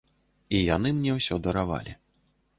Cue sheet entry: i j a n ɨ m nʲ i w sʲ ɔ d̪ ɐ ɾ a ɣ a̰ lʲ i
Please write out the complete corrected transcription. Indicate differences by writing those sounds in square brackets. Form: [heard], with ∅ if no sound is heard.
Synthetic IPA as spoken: i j a n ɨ m nʲ [ɛ] w sʲ ɔ d̪ ɐ ɾ a [v] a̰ lʲ i